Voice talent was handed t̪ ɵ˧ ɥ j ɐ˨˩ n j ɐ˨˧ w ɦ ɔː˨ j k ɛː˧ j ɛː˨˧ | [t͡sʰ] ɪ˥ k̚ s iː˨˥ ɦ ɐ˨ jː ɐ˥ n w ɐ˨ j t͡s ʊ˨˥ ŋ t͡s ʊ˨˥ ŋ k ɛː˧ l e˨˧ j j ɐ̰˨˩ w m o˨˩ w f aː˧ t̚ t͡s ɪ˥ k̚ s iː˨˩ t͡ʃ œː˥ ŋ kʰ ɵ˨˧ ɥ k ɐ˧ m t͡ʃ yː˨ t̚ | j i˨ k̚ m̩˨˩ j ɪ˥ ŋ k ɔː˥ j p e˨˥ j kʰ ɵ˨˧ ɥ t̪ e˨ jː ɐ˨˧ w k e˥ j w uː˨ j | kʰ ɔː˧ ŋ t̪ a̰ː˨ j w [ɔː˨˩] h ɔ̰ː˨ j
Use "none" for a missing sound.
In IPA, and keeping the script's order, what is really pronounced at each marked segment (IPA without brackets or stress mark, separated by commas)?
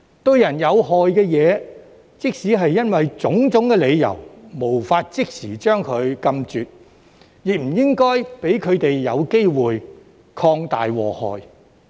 t͡s, ɔː˨˩